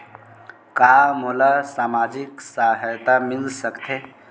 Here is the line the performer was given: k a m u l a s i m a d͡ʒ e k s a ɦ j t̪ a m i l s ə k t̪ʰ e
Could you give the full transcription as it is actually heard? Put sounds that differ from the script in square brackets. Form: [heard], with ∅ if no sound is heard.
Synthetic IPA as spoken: k a m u l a s [a] m a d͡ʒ [i] k s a ɦ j t̪ a m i l s ə k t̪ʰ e